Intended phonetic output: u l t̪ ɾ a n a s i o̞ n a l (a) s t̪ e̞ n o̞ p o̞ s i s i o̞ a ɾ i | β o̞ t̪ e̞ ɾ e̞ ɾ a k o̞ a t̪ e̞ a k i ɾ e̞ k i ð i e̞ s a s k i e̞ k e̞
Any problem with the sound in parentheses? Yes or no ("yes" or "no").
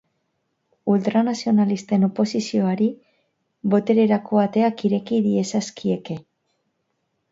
yes